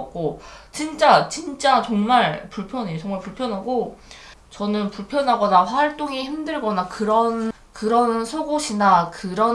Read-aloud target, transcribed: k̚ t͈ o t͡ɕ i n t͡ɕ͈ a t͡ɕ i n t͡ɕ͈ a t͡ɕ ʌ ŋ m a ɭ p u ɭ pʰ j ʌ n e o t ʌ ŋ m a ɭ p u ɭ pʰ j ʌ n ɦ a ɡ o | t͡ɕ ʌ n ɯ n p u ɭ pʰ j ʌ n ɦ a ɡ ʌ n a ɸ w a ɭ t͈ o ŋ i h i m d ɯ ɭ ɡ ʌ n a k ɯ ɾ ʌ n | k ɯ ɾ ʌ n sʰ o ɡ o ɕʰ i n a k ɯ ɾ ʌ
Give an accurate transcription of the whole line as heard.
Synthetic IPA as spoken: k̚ k͈ o t͡ɕ i n t͡ɕ͈ a t͡ɕ i n t͡ɕ͈ a t͡ɕ ʌ ŋ m a ɭ p u ɭ pʰ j ʌ n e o t͡ɕ ʌ ŋ m a ɭ p u ɭ pʰ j ʌ n ɦ a ɡ o | t͡ɕ ʌ n ɯ n p u ɭ pʰ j ʌ n ɦ a ɡ ʌ n a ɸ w a ɭ t͈ o ŋ i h i m d ɯ ɭ ɡ ʌ n a k ɯ ɾ ʌ n | k ɯ ɾ ʌ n sʰ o ɡ o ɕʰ i n a k ɯ ɾ ʌ